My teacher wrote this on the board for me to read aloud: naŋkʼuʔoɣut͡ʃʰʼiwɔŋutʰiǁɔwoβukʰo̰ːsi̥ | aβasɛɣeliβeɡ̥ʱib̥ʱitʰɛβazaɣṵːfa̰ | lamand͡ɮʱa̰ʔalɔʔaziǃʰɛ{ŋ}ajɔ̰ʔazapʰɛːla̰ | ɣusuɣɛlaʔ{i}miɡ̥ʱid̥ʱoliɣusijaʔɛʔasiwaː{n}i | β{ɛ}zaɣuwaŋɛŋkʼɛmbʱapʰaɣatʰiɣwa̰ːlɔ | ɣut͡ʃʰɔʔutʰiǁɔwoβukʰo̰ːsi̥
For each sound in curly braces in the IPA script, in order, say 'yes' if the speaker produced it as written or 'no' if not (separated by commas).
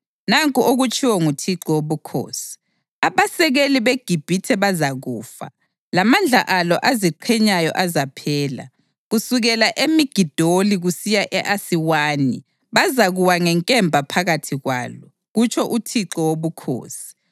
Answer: no, no, yes, no